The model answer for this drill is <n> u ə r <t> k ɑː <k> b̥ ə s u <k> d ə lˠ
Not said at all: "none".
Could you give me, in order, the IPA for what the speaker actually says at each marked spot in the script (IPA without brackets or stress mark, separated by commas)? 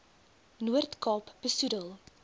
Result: n, t, p, none